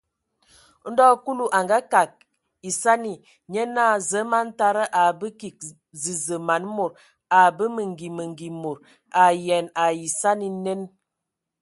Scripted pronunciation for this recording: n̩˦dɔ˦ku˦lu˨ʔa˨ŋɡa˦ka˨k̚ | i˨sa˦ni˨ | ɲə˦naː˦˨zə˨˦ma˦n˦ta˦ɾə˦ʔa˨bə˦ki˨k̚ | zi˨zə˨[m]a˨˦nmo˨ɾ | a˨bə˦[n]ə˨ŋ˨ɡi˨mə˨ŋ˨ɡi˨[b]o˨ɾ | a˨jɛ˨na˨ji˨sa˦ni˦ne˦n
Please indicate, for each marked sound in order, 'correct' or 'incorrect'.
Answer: correct, incorrect, incorrect

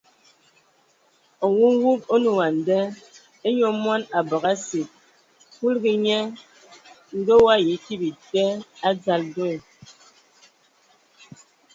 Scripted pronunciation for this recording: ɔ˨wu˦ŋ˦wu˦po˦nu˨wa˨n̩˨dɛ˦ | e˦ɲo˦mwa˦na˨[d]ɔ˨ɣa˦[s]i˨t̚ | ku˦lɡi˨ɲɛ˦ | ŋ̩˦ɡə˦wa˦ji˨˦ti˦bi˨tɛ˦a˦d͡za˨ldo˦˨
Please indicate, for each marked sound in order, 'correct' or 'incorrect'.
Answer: incorrect, correct

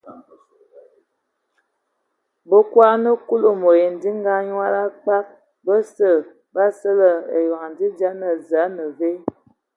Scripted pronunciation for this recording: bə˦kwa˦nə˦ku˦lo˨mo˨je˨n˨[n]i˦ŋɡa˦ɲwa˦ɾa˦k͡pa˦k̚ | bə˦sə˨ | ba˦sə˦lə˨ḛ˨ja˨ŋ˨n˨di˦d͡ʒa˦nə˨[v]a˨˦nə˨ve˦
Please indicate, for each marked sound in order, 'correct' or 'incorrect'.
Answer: incorrect, incorrect

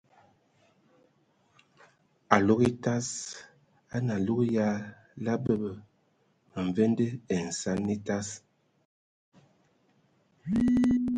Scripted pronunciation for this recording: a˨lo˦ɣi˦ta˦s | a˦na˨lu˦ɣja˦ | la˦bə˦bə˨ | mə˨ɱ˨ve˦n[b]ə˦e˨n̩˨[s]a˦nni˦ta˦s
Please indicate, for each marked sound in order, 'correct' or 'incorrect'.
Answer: incorrect, correct

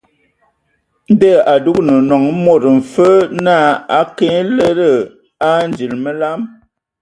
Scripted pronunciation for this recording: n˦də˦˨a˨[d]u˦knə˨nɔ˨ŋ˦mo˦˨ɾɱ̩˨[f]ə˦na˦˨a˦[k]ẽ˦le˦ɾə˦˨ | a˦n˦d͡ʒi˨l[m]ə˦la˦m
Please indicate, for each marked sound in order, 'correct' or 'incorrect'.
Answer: correct, correct, correct, correct

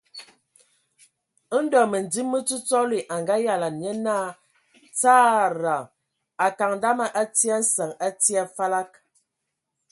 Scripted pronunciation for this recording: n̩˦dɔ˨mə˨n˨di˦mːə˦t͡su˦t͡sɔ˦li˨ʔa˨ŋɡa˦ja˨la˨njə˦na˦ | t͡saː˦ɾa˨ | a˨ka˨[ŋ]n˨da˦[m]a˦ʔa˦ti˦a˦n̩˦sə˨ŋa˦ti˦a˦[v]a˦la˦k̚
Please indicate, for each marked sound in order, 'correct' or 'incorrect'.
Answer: correct, correct, incorrect

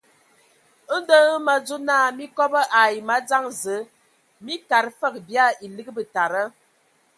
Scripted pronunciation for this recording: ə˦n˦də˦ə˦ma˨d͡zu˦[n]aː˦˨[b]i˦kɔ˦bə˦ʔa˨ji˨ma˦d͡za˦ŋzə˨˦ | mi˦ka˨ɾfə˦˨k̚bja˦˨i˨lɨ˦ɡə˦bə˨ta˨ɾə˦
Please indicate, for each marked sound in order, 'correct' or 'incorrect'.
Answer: correct, incorrect

